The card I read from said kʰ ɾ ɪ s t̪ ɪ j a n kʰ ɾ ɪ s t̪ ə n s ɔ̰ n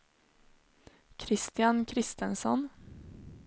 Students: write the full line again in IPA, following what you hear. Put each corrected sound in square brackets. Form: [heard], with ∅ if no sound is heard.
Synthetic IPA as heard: kʰ ɾ ɪ s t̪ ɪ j a n kʰ ɾ ɪ s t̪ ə n s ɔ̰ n